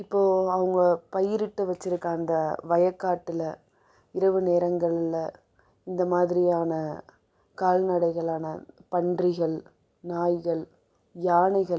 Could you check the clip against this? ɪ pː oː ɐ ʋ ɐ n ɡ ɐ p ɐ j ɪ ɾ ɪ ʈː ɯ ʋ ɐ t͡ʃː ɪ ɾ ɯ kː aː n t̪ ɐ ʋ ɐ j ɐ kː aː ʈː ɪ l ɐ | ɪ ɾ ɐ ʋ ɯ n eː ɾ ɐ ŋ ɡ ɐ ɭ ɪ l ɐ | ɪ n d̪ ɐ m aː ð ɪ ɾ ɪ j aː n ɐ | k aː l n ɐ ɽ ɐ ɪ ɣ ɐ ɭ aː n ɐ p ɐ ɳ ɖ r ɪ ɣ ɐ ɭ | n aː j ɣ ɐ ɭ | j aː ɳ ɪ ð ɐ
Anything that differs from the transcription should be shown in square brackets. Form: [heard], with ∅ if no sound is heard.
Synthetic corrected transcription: ɪ pː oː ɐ ʋ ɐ [ŋ] ɡ ɐ p ɐ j ɪ ɾ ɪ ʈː ɯ ʋ ɐ t͡ʃː ɪ ɾ ɯ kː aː n [d̪] ɐ ʋ ɐ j ɐ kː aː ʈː ɪ l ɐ | ɪ ɾ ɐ ʋ ɯ n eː ɾ ɐ ŋ ɡ ɐ ɭ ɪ l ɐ | ɪ n d̪ ɐ m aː ð ɪ ɾ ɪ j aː n ɐ | k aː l n ɐ ɽ ɐ ɪ ɣ ɐ ɭ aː n ɐ p ɐ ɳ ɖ r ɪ ɣ ɐ ɭ | n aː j ɣ ɐ ɭ | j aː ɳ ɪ [ɣ] ɐ